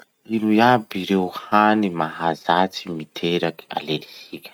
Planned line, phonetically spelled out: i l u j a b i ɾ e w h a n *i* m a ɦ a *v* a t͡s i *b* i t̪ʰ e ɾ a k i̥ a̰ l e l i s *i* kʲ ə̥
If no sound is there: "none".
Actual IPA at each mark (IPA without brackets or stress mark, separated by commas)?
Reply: i, z, m, i